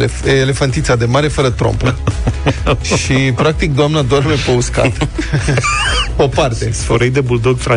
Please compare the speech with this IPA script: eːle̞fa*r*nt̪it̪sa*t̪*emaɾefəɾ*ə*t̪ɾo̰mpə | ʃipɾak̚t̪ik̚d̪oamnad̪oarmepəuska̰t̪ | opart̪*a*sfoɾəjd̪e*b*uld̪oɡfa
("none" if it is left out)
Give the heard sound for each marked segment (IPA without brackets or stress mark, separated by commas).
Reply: none, d̪, ə, e, b